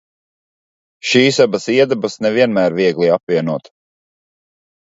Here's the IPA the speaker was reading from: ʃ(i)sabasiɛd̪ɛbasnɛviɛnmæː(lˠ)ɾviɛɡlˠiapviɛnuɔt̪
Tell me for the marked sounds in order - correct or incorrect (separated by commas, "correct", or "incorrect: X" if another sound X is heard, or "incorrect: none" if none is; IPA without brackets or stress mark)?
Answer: incorrect: iː, incorrect: none